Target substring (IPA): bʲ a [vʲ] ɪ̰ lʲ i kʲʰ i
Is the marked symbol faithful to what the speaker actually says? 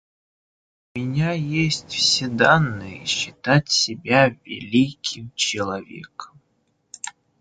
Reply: yes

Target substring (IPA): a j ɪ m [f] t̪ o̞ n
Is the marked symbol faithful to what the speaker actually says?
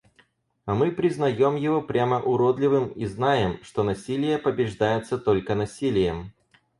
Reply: no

